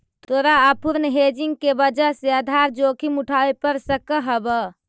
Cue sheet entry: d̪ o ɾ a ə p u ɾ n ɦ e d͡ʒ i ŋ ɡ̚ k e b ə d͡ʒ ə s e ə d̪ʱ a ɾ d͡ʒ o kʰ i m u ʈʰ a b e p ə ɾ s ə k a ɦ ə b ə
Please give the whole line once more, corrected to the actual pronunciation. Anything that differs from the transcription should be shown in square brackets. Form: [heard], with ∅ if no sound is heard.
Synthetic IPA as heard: [t̪] o ɾ a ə p u ɾ n ɦ e d͡ʒ i ŋ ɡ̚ k e b ə d͡ʒ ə s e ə d̪ʱ a ɾ d͡ʒ o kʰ i m u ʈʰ a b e p ə ɾ s ə k [ə] ɦ ə b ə